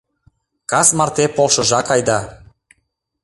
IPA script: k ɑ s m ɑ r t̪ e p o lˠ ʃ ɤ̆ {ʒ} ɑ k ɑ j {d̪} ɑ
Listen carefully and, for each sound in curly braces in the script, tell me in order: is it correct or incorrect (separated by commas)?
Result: correct, correct